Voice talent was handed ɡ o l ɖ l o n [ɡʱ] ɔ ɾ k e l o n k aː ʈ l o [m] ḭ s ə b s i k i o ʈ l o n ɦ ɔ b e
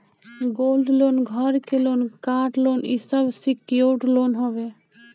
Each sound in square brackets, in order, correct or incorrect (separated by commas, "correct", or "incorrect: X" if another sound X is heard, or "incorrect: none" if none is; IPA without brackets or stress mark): correct, incorrect: n